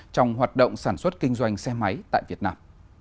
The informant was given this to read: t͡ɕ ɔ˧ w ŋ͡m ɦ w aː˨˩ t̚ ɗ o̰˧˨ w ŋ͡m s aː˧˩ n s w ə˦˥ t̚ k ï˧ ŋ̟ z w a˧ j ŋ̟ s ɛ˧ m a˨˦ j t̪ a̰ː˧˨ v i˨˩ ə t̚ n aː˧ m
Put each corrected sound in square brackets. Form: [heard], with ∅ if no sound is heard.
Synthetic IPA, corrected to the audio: t͡ɕ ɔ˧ w ŋ͡m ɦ w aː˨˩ t̚ ɗ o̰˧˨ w ŋ͡m s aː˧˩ n s w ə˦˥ t̚ k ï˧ ŋ̟ z w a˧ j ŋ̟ s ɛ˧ m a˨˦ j t̪ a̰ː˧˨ v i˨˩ ə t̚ n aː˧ m